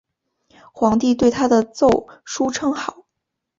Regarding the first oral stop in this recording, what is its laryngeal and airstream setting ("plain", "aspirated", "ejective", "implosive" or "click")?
plain